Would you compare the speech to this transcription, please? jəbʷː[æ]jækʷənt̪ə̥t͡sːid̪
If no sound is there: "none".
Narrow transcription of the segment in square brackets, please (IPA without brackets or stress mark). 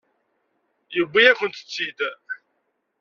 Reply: i